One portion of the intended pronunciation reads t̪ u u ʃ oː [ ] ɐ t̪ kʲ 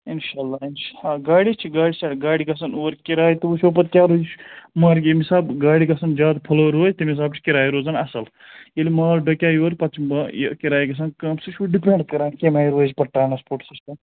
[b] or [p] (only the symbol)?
p